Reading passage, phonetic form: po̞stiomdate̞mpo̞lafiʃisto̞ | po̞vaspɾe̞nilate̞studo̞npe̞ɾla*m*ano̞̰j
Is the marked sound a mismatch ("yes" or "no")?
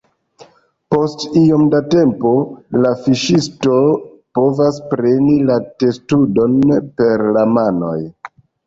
no